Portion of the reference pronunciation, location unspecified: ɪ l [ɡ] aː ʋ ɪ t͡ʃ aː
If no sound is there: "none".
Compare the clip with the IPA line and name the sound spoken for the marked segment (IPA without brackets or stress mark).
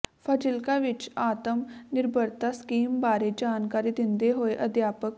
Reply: k